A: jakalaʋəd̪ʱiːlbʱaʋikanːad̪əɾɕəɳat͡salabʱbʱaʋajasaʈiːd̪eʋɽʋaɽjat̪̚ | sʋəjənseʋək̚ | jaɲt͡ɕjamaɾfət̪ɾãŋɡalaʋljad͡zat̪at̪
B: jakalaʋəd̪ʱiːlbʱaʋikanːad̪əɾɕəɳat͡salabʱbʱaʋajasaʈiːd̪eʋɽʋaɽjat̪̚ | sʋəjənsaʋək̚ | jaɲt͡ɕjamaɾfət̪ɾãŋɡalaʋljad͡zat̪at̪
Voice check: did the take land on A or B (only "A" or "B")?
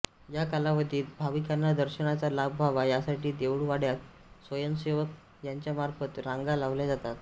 A